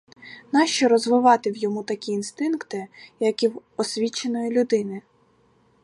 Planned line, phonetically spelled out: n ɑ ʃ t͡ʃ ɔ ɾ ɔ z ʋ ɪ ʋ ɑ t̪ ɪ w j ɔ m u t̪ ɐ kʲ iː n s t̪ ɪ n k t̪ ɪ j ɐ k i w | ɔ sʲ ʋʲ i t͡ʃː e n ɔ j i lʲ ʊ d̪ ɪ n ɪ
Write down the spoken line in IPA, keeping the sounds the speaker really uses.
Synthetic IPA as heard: n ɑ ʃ t͡ʃ ɔ ɾ ɔ z ʋ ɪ ʋ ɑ t̪ ɪ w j ɔ m u t̪ ɐ kʲ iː n s t̪ ɪ n k t̪ ɪ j ɐ k i w | ɔ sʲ ʋʲ i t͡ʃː e n ɔ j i lʲ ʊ d̪ ɪ n ɪ